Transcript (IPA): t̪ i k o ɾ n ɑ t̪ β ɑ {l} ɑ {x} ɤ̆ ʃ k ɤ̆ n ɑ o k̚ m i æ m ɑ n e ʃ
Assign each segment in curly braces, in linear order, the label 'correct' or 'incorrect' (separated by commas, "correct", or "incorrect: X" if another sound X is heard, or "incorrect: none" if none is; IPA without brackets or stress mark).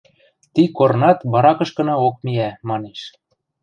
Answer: incorrect: ɾ, incorrect: k